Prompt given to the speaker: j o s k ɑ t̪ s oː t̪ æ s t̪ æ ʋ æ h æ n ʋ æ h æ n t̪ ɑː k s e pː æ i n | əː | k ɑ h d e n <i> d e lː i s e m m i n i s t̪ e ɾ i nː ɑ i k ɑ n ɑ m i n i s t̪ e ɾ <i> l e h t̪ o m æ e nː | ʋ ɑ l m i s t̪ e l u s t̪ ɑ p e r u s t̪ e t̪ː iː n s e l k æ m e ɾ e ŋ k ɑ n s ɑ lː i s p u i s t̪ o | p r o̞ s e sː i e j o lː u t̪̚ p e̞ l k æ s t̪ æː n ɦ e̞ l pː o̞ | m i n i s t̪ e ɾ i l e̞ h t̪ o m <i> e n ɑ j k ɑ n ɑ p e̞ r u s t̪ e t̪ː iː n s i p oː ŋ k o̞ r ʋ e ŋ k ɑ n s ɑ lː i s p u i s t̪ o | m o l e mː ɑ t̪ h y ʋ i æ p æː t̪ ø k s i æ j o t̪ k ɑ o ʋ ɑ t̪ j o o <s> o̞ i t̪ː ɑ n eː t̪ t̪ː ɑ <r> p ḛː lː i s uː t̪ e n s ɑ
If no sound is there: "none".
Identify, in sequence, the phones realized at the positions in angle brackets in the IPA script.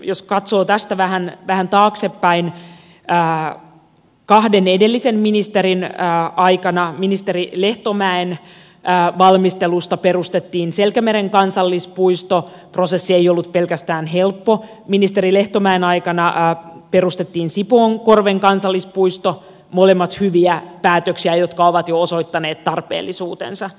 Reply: e, i, æ, s, r

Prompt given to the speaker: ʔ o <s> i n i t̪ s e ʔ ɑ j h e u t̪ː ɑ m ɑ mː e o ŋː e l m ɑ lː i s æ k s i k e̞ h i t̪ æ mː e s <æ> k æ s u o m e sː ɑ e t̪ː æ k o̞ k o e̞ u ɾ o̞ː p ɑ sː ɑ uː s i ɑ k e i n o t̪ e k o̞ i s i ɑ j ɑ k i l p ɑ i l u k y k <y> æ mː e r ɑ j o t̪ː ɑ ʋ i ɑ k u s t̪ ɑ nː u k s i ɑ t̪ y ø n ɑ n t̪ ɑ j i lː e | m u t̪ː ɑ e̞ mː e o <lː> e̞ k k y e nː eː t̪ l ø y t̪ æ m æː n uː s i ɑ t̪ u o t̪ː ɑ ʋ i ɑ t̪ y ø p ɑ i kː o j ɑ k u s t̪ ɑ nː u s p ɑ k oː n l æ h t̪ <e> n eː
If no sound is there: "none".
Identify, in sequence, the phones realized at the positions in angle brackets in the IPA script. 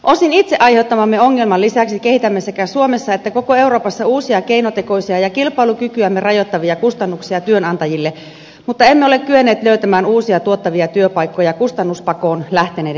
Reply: s, e, y, l, e

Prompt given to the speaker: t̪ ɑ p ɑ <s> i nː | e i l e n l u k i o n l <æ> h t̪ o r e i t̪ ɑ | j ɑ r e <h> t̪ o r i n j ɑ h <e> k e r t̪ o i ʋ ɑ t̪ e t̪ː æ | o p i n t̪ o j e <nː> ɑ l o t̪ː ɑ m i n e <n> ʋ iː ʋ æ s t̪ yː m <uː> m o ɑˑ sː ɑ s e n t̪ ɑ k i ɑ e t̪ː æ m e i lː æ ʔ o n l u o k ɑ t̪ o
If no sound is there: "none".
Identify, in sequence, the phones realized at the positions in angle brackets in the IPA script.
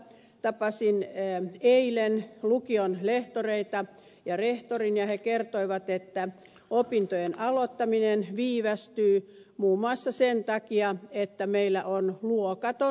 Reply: s, e, h, e, n, n, uː

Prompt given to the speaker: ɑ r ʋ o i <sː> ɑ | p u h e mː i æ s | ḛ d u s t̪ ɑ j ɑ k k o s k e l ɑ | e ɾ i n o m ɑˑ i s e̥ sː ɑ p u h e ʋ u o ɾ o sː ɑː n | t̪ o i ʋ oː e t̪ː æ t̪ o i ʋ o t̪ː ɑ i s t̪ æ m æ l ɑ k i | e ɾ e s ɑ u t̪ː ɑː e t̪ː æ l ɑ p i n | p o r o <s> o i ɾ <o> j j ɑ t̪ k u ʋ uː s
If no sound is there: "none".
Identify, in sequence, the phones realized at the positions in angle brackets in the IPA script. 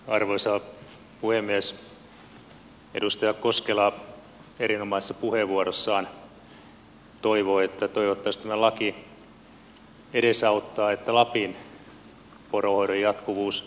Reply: s, h, o

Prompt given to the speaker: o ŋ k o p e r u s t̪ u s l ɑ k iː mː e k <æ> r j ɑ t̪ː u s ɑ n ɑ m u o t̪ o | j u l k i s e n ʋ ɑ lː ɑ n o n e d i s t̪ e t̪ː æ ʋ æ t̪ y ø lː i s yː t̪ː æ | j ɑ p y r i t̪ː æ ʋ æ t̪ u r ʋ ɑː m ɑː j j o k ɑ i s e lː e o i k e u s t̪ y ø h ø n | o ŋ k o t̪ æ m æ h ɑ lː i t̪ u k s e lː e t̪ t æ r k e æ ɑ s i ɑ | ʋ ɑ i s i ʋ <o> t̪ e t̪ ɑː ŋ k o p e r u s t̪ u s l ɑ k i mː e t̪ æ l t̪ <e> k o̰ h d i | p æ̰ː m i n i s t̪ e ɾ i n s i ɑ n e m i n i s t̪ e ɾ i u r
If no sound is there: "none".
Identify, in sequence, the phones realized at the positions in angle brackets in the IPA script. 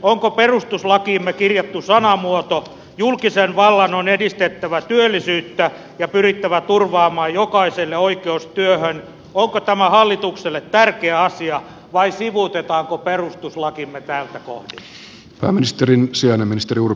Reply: i, u, æ

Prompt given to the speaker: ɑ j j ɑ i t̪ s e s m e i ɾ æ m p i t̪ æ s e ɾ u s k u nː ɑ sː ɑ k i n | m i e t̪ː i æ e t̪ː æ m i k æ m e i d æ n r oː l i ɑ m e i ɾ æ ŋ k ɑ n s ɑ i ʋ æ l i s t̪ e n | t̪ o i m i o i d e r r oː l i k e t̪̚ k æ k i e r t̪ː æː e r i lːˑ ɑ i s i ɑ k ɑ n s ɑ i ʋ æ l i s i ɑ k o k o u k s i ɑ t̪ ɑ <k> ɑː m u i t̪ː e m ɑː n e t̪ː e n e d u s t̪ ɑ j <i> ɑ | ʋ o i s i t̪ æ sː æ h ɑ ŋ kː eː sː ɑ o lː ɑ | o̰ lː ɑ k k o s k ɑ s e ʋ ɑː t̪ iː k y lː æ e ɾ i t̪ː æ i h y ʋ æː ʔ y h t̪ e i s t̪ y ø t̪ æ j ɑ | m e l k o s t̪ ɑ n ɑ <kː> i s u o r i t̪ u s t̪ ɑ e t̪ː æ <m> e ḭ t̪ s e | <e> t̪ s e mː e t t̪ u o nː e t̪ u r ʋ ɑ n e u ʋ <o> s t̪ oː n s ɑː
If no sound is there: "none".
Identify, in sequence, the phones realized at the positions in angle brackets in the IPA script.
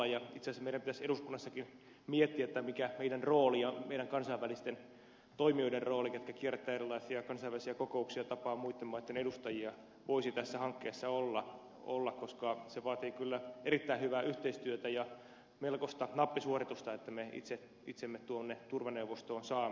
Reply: p, i, pː, m, i, o

